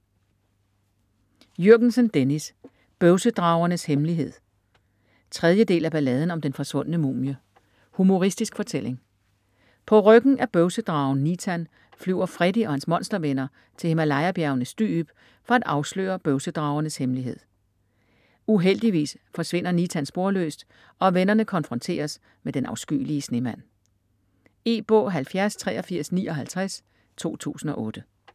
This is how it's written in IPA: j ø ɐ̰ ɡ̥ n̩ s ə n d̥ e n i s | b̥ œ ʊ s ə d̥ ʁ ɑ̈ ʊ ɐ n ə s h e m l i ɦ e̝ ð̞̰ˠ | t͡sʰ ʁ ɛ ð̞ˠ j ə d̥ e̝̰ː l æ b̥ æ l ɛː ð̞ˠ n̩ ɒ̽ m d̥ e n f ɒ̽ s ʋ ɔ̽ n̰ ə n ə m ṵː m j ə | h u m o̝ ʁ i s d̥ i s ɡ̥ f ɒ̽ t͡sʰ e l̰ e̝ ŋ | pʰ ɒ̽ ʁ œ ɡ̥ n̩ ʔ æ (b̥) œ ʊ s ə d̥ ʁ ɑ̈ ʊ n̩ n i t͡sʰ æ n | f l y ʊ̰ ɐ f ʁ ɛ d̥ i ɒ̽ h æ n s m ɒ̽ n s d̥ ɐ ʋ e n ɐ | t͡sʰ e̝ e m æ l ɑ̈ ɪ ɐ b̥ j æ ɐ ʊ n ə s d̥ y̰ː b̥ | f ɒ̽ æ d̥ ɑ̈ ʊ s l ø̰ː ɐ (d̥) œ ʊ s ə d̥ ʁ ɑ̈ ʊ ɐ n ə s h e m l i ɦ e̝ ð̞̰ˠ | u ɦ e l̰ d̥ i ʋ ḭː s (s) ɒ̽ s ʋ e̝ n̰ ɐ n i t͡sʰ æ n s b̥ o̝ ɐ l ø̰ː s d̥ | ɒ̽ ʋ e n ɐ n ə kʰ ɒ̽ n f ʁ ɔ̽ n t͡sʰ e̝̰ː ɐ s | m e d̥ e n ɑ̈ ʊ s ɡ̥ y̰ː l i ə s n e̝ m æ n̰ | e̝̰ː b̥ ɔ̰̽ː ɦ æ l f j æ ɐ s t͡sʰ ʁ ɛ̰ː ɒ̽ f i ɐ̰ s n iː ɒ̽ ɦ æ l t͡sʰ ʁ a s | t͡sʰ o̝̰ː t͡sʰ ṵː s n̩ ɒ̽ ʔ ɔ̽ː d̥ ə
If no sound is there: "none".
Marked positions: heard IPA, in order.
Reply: b̥, b̥, f

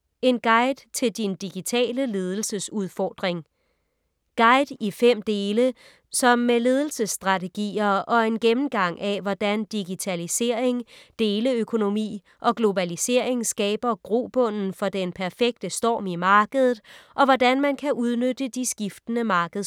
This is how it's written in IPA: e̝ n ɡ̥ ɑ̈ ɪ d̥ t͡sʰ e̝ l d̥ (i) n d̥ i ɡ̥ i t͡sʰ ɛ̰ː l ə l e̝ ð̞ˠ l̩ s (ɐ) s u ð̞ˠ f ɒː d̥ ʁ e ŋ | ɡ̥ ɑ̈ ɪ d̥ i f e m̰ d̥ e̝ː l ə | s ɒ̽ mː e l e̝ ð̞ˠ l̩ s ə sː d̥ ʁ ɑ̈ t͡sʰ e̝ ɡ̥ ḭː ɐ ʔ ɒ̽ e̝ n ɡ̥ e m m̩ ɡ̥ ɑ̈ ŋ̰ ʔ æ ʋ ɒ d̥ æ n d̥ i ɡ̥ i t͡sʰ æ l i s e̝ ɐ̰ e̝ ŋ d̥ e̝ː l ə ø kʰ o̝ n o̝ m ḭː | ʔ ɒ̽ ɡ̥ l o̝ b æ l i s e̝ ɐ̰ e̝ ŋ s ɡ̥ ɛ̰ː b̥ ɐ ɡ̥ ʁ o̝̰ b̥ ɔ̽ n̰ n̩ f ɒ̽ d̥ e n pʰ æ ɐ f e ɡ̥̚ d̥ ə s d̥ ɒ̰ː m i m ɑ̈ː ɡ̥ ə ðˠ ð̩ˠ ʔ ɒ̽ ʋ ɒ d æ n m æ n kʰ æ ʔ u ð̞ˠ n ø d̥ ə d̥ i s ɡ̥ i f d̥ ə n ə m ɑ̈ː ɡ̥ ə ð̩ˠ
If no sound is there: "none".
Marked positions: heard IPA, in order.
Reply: i, ə

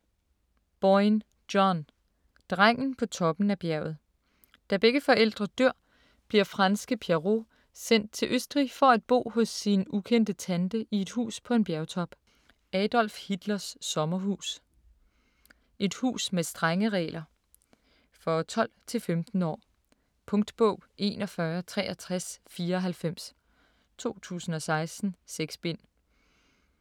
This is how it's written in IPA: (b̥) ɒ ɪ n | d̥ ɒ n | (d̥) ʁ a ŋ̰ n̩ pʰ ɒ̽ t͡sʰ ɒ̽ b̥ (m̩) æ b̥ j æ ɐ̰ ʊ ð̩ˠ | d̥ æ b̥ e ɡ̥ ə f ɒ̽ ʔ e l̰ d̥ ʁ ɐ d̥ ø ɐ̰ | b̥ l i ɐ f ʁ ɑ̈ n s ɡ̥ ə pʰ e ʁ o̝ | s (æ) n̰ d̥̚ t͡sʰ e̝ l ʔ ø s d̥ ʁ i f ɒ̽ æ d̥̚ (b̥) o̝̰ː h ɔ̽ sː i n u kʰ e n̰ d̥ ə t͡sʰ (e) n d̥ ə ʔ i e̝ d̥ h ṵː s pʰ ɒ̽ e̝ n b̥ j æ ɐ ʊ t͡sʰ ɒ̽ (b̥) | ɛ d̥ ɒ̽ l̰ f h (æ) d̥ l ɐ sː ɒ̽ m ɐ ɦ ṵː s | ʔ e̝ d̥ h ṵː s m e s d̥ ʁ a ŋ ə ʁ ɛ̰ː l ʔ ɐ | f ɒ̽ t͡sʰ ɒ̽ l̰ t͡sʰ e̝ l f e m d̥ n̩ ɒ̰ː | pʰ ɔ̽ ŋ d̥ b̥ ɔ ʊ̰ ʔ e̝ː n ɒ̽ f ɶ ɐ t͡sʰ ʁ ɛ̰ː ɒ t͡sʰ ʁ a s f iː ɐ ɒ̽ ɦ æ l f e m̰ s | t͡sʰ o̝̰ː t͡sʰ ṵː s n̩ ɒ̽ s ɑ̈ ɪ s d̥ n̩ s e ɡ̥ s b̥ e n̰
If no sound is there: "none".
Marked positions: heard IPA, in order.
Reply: b̥, d̥, n̩, e, b̥, æ, b̥, i

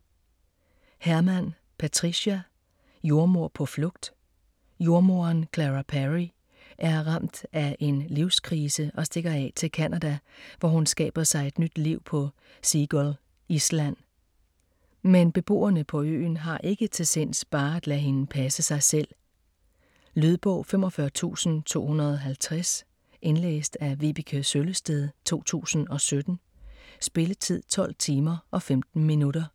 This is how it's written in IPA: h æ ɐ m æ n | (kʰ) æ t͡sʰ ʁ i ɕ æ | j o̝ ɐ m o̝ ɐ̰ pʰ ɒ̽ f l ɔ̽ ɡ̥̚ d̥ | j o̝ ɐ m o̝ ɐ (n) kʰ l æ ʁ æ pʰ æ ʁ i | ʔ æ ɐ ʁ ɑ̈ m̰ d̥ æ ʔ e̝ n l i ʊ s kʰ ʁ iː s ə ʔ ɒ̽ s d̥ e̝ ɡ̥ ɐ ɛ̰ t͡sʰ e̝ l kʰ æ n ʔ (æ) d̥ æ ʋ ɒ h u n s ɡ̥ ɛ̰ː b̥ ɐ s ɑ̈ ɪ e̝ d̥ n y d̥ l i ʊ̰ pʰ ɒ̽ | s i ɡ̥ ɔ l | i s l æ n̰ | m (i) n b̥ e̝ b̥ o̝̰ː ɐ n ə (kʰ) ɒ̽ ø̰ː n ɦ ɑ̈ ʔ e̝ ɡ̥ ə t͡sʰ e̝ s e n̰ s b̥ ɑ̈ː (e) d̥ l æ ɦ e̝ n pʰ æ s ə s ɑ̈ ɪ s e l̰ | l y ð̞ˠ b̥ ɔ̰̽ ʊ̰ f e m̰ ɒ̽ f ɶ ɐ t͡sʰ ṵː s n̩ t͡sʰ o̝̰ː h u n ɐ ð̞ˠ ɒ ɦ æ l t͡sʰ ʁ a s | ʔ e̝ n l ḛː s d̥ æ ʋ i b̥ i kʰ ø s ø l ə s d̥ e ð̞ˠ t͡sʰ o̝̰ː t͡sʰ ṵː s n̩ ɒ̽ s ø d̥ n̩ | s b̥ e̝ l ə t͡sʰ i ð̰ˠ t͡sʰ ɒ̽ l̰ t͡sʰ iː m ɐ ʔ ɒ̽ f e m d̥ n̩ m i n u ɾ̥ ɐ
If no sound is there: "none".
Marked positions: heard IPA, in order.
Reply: pʰ, n, æ, e, pʰ, æ

